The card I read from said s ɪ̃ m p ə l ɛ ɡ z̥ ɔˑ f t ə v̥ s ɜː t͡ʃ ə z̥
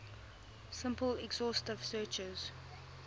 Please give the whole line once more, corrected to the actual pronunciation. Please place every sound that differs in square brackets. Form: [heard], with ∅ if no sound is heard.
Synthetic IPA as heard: s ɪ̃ m p ə l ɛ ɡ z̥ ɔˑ [s] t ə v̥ s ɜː t͡ʃ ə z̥